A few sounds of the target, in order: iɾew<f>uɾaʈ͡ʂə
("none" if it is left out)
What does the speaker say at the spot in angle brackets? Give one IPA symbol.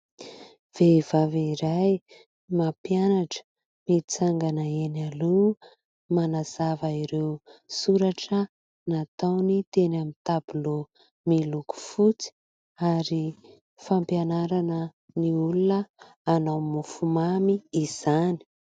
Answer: s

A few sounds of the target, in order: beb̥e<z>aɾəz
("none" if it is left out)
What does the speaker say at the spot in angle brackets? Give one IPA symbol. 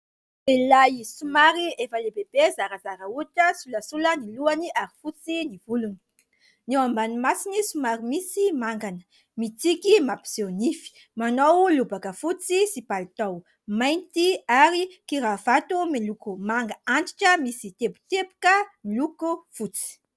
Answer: z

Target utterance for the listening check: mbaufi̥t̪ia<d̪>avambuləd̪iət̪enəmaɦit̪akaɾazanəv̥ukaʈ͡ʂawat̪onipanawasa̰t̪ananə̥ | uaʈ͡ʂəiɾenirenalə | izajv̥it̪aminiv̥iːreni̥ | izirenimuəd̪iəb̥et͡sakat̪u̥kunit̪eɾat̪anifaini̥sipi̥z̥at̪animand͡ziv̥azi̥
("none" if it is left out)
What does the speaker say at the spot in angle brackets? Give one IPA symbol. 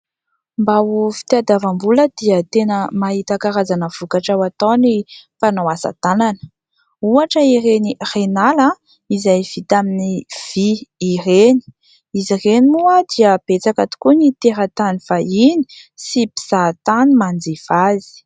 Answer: d̪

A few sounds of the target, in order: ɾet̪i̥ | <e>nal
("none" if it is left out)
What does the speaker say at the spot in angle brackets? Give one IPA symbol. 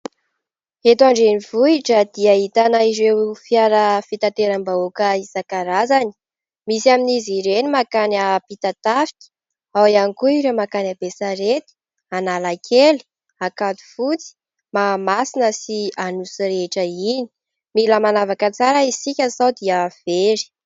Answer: a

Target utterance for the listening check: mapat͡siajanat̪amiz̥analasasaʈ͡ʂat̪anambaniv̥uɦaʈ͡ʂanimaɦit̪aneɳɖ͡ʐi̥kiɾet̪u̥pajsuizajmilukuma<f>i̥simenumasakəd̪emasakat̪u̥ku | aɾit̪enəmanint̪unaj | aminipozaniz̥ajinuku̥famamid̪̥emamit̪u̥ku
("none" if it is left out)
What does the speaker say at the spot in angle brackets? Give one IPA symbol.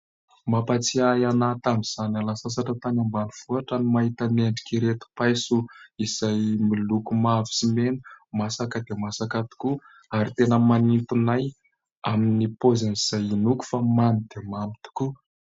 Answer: v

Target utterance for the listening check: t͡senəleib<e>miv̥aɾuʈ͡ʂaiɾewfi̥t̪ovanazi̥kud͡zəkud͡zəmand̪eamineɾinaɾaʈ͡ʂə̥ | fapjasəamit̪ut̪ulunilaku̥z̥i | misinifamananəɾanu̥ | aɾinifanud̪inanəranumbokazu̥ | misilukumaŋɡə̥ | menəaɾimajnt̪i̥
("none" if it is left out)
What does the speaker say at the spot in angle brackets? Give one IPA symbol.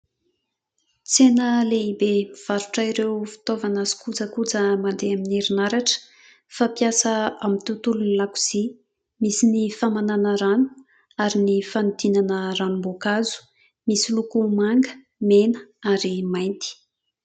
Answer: e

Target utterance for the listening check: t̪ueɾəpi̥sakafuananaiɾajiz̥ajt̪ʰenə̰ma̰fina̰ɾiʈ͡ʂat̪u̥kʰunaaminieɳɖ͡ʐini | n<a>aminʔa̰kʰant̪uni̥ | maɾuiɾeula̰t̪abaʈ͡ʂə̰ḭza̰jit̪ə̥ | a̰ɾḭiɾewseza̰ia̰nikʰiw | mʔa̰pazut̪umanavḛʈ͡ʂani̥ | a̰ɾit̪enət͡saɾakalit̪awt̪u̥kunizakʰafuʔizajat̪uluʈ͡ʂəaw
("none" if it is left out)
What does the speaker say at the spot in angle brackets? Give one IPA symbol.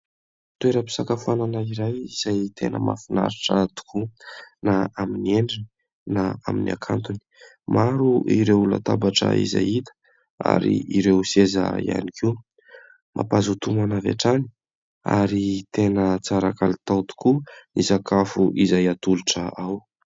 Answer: a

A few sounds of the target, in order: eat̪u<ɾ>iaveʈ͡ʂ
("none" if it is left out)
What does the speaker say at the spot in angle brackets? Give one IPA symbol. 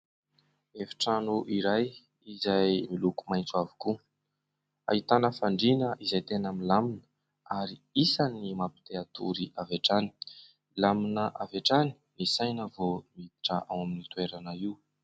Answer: ɾ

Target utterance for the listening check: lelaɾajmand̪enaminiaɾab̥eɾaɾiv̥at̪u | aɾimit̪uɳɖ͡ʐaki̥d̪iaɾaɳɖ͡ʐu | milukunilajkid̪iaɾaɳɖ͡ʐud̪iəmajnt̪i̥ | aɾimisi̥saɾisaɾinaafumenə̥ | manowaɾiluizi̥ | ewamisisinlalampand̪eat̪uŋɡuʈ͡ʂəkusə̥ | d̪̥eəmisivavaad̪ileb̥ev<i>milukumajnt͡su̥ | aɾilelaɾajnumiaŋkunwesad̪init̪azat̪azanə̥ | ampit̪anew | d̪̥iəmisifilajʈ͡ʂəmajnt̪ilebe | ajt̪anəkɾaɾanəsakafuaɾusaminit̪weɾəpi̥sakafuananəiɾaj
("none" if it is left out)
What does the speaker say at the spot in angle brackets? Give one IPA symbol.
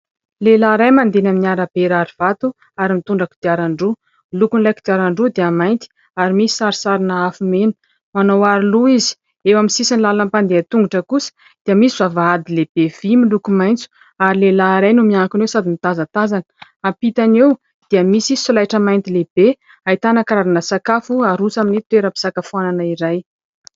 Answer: i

